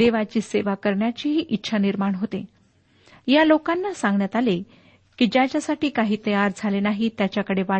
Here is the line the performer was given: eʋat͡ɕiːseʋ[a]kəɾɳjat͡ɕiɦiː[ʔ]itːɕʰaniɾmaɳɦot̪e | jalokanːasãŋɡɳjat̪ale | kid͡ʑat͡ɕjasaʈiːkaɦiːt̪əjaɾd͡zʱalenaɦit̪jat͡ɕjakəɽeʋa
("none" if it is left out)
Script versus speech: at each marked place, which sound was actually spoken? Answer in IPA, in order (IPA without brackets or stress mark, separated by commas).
a, ʔ